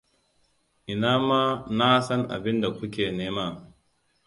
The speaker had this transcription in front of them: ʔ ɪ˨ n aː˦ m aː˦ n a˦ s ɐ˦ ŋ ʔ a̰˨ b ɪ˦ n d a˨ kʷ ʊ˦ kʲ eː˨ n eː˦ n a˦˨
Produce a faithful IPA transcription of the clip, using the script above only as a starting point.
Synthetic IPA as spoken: ʔ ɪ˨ n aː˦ m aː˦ n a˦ s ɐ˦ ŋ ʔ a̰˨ b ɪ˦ n d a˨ kʷ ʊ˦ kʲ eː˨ n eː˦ m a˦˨